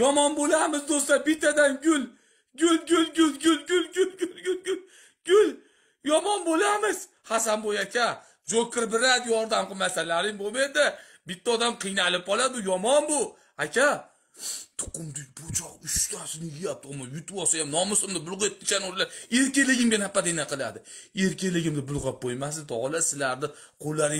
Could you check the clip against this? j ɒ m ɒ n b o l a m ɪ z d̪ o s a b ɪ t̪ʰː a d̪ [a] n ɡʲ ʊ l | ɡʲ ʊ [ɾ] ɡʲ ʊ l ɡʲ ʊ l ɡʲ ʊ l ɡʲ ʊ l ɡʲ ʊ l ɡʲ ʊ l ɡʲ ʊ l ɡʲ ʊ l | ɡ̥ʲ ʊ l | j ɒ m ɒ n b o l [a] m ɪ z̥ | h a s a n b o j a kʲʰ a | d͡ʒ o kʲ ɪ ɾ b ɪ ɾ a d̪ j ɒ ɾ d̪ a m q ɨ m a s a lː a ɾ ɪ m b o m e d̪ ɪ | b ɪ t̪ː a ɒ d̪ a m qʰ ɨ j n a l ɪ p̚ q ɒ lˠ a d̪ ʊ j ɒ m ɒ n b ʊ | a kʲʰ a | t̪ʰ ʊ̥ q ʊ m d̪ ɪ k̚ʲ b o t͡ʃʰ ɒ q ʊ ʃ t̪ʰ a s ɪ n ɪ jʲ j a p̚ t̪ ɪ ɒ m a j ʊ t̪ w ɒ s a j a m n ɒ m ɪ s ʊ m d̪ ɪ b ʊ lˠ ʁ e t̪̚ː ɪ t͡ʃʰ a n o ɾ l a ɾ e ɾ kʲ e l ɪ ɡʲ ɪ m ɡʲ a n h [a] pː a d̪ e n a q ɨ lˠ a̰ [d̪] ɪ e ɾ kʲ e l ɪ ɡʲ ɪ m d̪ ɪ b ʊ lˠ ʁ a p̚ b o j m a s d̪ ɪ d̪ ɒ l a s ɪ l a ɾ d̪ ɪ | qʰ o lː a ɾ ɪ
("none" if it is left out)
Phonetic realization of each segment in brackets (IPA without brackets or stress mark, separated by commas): a, l, a, a, d̪